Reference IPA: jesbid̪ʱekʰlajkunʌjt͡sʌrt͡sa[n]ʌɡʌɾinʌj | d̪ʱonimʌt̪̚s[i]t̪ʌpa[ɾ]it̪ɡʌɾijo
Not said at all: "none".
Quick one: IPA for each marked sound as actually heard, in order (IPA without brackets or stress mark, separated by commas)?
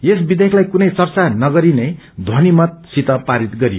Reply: n, i, ɾ